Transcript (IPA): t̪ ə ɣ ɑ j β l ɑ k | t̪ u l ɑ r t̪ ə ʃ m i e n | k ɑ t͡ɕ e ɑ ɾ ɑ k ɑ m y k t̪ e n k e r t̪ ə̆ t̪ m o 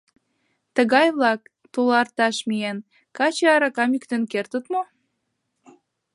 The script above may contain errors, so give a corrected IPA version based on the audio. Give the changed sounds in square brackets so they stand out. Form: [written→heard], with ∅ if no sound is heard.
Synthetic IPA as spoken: t̪ ə ɣ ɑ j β l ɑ k | t̪ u l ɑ r t̪ [ə→ɑ] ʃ m i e n | k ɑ t͡ɕ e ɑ ɾ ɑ k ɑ m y k t̪ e n k e r t̪ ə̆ t̪ m o